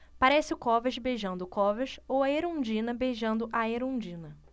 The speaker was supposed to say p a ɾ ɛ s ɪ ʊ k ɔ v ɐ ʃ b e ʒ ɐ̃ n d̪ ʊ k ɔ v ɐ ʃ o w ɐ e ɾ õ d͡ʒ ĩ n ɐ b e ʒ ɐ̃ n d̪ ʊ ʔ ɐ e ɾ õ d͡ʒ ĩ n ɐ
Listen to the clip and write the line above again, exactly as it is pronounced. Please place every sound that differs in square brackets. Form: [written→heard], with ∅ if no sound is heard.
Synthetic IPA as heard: p a ɾ ɛ s ɪ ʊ k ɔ v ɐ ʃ b e ʒ ɐ̃ n d̪ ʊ k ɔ v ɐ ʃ o w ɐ e ɾ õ d͡ʒ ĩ n ɐ b e ʒ ɐ̃ n d̪ ʊ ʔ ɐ e ɾ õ d͡ʒ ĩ n ɐ